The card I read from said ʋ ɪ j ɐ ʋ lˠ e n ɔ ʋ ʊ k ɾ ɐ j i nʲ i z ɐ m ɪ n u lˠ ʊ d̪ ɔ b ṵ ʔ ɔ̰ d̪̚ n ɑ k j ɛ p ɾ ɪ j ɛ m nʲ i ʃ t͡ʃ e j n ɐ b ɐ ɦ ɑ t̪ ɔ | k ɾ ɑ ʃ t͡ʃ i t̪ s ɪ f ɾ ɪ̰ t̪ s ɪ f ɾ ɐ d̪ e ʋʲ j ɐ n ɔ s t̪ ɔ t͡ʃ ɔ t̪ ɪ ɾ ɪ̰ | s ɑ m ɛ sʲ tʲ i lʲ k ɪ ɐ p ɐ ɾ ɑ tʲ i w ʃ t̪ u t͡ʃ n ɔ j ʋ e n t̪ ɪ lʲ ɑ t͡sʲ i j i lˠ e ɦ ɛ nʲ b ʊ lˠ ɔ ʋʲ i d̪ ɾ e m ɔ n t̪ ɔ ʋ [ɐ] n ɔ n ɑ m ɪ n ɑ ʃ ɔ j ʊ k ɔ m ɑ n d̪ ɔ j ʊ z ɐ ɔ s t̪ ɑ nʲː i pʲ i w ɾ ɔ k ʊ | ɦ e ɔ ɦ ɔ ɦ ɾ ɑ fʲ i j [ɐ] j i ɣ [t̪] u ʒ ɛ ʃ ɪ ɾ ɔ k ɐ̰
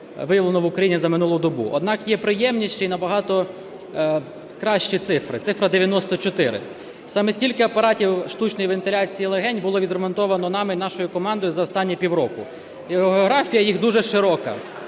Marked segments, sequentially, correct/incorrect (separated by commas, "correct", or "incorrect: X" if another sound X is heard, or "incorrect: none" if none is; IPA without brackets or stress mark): correct, correct, incorrect: d̪